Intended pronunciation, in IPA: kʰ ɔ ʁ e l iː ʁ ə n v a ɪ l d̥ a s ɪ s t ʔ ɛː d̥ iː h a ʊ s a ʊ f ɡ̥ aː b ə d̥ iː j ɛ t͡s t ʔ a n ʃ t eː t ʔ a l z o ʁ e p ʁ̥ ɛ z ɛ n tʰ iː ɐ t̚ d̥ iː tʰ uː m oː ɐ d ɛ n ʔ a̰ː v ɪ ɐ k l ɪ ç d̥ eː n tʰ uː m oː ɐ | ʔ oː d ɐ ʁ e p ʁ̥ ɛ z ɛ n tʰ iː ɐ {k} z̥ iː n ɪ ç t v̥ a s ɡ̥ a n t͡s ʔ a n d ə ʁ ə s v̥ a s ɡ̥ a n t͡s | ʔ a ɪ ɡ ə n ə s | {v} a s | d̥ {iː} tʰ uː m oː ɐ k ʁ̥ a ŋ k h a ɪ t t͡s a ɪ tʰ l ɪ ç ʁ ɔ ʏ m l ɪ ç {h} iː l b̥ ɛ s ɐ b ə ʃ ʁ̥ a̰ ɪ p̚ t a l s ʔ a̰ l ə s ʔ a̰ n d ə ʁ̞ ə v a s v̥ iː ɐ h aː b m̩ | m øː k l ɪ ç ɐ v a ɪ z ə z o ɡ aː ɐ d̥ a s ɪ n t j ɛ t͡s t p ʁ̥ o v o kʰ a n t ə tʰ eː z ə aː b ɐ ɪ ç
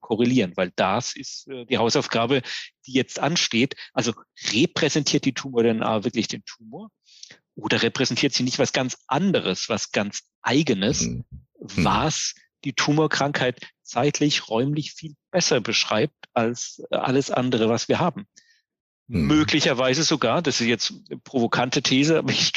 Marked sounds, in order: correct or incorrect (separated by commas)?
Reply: incorrect, correct, correct, incorrect